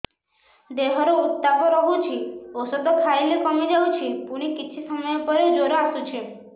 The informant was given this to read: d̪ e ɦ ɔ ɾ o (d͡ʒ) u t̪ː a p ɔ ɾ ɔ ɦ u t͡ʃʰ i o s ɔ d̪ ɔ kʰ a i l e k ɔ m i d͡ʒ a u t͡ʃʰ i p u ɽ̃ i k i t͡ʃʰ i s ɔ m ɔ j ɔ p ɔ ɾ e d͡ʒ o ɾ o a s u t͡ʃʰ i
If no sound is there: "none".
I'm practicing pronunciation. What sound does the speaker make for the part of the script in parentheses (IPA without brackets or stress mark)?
none